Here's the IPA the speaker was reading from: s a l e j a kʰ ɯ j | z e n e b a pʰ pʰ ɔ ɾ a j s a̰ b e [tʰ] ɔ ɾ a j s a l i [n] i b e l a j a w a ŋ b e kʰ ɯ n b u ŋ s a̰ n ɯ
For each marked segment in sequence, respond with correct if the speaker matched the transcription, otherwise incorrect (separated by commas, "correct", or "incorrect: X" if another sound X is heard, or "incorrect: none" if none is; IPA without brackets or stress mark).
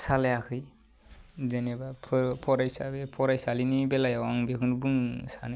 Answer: incorrect: pʰ, correct